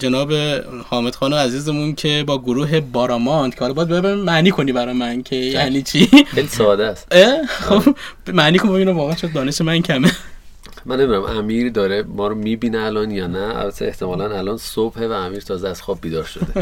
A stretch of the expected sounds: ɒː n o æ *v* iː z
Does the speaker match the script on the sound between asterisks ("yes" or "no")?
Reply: no